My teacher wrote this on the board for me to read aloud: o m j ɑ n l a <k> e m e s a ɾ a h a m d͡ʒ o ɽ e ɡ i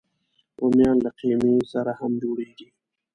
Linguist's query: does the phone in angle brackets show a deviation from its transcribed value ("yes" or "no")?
yes